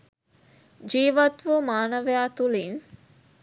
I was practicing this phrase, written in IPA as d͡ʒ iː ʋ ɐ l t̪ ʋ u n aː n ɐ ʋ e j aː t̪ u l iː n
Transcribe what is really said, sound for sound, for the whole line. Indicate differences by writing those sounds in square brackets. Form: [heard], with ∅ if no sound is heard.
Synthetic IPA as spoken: d͡ʒ iː ʋ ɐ [∅] t̪ ʋ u [m] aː n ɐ ʋ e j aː t̪ u l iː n